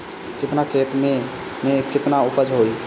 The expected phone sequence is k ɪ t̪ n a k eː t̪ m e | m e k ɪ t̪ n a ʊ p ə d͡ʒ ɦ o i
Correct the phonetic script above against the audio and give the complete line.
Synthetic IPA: k ɪ t̪ n a kʰ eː t̪ m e | m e k ɪ t̪ n a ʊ p ə d͡ʒ ɦ o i